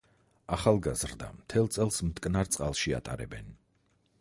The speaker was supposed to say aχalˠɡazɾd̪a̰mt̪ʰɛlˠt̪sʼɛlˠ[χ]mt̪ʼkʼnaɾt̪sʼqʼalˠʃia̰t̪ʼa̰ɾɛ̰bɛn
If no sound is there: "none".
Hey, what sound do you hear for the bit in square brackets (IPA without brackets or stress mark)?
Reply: s